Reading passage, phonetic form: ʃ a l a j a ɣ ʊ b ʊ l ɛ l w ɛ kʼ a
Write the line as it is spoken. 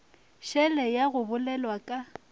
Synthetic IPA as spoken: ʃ ɛ l ɛ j a ɣ ʊ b ʊ l ɛ l w a kʼ a

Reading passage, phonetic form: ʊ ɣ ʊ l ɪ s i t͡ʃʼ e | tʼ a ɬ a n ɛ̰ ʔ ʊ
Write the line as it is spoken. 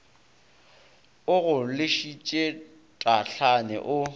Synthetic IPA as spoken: ʊ ɣ ʊ l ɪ ʃ i t͡ʃʼ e | tʼ a ɬ a n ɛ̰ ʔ ʊ

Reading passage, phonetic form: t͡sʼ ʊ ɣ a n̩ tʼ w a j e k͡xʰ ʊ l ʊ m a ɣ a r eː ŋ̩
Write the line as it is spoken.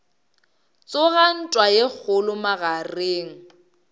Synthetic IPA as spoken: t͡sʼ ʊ ɣ a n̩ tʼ w a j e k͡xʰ ʊ l ʊ m a ɣ a r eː ŋ̩

